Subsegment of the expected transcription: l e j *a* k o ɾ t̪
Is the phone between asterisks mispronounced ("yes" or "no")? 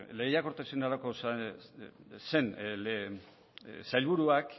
no